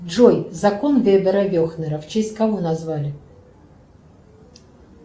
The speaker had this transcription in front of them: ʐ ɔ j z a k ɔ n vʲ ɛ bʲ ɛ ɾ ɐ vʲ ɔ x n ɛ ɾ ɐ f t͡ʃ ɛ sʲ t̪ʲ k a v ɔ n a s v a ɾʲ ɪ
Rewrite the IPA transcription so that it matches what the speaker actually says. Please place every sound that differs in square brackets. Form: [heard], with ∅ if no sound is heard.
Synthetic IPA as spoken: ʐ ɔ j z a k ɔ n vʲ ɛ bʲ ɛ ɾ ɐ vʲ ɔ x n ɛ ɾ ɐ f t͡ʃ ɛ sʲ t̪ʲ k a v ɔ n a [z] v a [lʲ] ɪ